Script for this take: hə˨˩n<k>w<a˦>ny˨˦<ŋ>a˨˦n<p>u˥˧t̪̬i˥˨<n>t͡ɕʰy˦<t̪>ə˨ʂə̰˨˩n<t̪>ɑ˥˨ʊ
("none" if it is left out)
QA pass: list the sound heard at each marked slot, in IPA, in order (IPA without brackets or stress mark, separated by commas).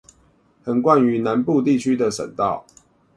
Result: k, a˥˨, n, p, none, d̪, t̪